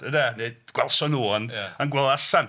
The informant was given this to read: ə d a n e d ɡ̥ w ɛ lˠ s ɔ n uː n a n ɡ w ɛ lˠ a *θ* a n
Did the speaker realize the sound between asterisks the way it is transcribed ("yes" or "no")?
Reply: no